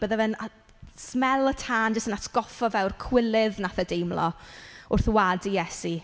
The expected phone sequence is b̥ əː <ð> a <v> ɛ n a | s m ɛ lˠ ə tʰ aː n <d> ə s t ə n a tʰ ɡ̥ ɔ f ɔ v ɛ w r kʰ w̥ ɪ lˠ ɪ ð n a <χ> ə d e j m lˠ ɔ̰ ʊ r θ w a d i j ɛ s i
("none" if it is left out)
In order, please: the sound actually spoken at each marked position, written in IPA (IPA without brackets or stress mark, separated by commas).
ð, v, d͡ʒ, θ